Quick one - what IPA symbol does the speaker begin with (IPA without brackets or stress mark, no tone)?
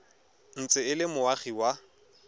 n̩